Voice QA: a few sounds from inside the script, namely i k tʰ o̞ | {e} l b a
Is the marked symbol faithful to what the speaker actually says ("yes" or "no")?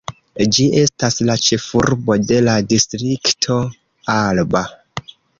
no